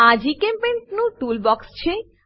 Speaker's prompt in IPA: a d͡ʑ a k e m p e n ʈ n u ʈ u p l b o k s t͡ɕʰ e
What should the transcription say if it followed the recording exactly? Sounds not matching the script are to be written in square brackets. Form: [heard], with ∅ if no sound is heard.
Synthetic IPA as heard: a d͡ʑ [i] k e m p e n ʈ n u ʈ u [∅] l b [ɔ] k s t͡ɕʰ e